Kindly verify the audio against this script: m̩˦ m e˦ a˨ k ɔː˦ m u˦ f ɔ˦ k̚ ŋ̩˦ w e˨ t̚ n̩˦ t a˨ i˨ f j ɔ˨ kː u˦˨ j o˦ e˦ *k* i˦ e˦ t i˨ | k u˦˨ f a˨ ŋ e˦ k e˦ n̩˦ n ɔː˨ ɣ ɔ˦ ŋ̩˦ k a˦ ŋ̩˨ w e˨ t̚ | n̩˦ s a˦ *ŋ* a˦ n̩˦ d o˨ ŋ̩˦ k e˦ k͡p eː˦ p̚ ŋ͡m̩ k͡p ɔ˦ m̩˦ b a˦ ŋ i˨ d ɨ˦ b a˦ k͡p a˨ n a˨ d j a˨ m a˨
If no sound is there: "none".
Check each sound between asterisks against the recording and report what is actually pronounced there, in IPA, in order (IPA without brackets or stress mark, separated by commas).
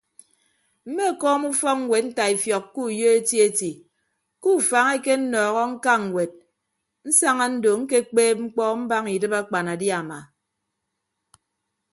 t, ŋ